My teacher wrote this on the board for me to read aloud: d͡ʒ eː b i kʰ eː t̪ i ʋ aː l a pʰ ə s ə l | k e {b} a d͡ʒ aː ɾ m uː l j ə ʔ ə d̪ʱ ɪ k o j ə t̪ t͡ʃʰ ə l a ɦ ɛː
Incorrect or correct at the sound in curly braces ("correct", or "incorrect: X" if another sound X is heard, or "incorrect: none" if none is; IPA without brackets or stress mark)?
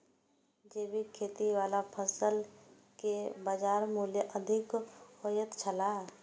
correct